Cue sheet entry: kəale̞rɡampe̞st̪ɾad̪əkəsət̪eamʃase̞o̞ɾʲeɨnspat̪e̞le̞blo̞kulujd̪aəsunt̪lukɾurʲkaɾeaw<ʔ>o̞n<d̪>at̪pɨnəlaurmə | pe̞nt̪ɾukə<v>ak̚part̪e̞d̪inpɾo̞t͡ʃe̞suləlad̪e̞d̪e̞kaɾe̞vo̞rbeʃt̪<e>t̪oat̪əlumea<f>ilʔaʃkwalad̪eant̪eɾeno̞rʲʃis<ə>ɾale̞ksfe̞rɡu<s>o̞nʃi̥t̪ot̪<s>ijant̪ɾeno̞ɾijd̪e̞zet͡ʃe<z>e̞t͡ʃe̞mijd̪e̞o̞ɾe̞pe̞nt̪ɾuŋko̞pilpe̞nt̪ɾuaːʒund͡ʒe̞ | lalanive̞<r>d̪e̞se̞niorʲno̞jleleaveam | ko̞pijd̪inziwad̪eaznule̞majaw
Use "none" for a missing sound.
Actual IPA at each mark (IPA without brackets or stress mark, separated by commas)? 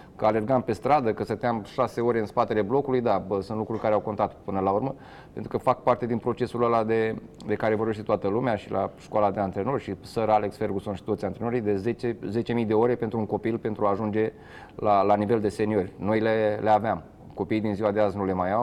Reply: k, t̪, f, e, ʃ, ə, s, s, z, l